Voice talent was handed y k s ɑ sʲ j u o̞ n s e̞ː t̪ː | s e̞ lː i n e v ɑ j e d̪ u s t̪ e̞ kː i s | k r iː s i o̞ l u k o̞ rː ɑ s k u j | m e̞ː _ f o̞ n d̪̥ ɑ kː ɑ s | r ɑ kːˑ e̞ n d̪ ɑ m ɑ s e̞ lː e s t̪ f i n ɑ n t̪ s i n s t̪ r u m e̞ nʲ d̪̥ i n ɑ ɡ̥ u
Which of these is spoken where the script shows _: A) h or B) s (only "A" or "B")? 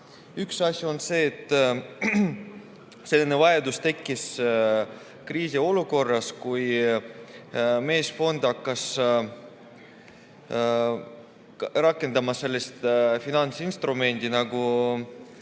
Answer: B